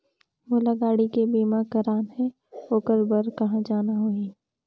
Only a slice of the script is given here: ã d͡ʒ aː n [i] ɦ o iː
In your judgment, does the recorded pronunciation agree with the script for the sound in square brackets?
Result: no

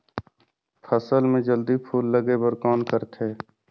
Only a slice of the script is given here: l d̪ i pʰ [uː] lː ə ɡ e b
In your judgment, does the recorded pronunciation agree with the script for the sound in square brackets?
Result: yes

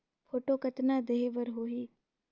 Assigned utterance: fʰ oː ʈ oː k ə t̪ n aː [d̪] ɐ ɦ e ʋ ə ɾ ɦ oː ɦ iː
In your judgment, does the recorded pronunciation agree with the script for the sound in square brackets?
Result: yes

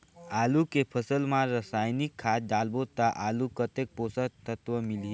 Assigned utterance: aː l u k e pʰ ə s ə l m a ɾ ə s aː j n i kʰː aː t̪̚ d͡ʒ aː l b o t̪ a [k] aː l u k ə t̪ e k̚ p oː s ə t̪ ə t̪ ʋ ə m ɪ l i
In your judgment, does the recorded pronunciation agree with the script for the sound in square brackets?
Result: no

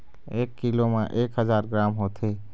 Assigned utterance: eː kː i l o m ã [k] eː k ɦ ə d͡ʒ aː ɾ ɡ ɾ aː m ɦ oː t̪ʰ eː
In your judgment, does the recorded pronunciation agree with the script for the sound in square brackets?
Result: no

